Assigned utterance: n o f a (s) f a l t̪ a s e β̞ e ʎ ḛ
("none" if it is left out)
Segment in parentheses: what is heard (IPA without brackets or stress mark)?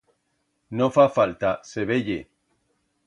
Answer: none